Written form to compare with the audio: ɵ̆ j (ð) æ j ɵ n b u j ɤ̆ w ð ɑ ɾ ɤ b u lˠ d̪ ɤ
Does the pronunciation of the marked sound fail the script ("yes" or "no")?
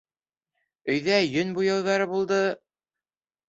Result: no